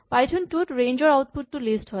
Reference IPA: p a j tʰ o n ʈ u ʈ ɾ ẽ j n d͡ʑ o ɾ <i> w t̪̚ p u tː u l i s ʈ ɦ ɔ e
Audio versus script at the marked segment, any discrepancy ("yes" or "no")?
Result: yes